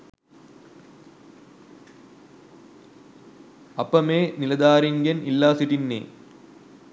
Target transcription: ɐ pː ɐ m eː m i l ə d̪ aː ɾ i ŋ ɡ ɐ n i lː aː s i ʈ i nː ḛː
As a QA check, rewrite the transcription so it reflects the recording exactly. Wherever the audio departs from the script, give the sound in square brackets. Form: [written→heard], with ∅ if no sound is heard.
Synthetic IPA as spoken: ɐ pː ɐ m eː [m→n] i l [ə→ɐ] d̪ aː ɾ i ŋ ɡ ɐ n i lː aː s i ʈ i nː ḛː